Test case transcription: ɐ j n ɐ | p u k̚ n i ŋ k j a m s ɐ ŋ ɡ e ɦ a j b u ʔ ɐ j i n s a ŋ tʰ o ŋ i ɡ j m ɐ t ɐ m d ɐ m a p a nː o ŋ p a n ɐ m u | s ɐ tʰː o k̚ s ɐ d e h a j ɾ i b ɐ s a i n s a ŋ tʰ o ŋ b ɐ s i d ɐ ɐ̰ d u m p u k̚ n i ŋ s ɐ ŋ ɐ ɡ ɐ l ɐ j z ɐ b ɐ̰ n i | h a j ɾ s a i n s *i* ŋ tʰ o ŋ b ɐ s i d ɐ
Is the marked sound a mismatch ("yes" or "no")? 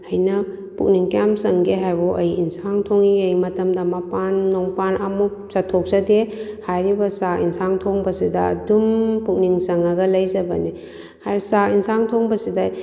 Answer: yes